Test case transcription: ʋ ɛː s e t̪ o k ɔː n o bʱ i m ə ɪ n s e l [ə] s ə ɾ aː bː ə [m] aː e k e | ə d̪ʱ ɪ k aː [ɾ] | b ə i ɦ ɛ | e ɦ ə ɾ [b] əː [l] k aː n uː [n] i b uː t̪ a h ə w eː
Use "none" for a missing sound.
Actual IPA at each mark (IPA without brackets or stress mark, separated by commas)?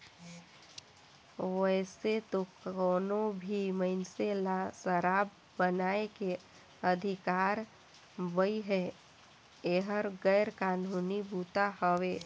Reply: a, n, ɾ, ɡ, ɾ, n